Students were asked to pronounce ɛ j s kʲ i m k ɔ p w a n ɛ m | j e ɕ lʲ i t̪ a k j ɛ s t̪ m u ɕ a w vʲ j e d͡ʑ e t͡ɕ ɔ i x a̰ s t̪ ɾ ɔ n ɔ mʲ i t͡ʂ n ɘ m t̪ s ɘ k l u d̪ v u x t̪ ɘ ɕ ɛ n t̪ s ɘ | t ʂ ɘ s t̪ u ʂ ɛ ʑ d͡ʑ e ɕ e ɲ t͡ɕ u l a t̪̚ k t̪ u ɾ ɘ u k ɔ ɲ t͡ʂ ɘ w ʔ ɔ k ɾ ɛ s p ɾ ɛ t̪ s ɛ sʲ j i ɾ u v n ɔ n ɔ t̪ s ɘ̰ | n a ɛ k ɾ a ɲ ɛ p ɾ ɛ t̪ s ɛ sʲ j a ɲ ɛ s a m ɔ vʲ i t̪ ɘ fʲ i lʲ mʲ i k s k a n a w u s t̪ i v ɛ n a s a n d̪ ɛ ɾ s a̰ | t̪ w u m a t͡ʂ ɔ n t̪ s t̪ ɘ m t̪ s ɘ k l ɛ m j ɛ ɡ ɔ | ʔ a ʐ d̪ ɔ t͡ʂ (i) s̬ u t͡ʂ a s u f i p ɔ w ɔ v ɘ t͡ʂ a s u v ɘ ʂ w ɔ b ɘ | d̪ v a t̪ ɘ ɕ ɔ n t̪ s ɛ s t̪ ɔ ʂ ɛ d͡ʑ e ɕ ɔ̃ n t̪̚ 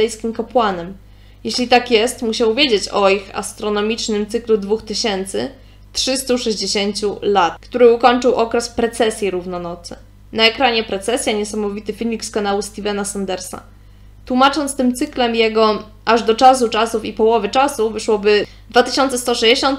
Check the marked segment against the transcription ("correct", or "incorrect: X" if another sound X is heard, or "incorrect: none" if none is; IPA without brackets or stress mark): incorrect: a